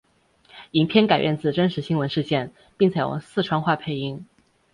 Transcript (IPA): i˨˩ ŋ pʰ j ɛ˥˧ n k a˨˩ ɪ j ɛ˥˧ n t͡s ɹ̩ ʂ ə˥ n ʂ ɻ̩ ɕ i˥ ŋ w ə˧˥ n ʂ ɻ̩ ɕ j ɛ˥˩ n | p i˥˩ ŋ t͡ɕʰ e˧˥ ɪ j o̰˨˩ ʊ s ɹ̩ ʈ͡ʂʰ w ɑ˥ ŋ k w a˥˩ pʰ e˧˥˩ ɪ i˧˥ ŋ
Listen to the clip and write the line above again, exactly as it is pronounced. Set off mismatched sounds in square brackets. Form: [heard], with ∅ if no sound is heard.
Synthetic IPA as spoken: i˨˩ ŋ pʰ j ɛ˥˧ n k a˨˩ ɪ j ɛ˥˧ n t͡s ɹ̩ [ʈ͡ʂ] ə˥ n ʂ ɻ̩ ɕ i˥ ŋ w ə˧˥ n ʂ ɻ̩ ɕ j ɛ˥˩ n | p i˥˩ ŋ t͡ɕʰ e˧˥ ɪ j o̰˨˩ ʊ s ɹ̩ ʈ͡ʂʰ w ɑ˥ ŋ [x] w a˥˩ pʰ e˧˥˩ ɪ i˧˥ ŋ